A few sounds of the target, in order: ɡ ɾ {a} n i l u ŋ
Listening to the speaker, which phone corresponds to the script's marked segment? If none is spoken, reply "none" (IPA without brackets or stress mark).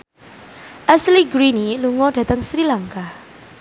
i